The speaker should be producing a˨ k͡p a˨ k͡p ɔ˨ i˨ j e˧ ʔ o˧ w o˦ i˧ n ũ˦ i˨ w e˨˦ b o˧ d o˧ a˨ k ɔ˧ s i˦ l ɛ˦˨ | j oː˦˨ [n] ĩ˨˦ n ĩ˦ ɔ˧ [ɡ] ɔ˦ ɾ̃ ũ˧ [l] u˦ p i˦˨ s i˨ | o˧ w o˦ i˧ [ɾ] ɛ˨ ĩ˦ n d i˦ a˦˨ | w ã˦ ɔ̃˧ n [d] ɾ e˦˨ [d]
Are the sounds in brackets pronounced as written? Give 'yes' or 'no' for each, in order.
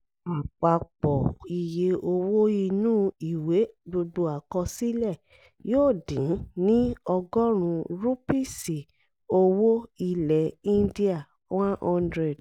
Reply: no, yes, no, no, yes, yes

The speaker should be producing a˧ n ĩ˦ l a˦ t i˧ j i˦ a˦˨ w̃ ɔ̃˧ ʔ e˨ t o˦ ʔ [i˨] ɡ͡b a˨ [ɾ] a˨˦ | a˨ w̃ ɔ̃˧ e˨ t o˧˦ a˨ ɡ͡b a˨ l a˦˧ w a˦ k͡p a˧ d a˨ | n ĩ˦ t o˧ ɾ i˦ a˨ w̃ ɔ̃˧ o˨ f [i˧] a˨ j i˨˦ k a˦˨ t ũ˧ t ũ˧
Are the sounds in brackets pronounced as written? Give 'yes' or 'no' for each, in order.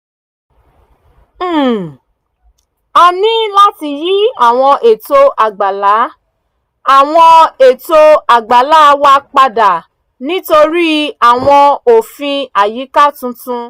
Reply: no, no, no

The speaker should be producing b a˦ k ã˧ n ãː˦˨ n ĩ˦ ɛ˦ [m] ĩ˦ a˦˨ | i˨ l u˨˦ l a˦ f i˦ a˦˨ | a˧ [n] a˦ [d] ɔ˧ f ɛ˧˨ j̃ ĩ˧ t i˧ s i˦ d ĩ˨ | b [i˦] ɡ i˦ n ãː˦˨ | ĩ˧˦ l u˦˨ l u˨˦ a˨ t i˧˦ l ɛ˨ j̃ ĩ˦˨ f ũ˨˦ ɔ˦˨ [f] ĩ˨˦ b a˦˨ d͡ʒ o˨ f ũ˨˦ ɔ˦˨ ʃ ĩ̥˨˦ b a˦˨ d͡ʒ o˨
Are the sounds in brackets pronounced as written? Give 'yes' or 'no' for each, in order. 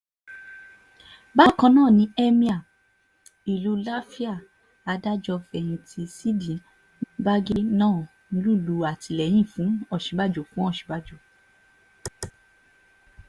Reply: yes, no, no, no, no

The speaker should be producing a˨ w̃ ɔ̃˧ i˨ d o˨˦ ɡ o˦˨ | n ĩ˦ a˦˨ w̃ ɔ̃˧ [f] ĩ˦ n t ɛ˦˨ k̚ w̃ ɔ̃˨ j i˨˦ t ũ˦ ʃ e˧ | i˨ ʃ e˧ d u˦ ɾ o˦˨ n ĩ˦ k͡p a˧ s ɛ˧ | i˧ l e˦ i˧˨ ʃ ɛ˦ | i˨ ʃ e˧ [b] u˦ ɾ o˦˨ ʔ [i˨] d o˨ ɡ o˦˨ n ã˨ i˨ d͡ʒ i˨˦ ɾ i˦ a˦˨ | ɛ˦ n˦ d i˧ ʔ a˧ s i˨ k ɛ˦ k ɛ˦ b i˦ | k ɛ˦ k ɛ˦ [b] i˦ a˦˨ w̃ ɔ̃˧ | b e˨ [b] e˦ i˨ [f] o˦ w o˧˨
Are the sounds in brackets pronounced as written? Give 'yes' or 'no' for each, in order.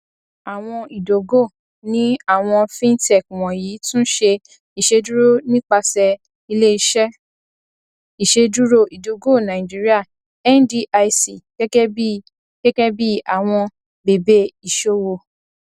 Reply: yes, no, yes, yes, yes, no

